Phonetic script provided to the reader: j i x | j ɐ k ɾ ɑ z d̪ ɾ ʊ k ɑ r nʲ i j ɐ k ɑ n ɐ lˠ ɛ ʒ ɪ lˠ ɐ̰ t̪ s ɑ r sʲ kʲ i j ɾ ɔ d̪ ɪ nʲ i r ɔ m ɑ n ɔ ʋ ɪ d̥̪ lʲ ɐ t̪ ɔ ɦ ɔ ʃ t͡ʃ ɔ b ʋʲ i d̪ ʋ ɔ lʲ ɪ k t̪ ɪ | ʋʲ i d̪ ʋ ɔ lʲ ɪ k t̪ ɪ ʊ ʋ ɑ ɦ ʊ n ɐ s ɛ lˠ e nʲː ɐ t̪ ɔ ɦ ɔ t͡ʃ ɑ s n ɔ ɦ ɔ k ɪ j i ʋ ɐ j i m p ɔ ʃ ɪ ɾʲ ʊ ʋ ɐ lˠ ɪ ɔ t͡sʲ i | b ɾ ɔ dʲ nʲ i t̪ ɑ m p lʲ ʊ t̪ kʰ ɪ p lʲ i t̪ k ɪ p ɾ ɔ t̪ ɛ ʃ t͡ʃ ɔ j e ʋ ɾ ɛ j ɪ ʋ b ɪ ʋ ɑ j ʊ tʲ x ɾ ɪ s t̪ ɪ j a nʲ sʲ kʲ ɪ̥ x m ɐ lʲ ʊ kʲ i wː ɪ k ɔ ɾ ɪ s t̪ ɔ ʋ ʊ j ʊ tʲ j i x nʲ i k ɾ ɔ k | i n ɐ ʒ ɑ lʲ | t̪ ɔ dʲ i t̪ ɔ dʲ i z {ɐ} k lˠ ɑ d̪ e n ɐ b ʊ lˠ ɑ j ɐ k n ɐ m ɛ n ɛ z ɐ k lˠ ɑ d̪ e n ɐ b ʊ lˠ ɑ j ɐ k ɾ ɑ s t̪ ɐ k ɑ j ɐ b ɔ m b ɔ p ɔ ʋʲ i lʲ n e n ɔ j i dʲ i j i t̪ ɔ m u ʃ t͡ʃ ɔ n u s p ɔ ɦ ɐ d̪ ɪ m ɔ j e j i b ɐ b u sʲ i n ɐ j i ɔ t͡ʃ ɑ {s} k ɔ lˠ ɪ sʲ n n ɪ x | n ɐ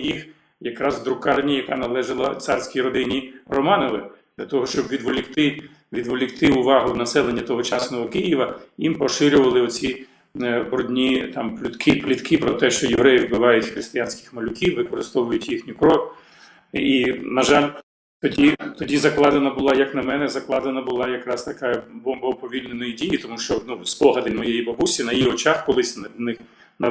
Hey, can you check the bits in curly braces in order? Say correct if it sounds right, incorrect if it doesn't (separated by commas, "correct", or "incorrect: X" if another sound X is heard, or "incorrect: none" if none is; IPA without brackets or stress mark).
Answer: correct, incorrect: x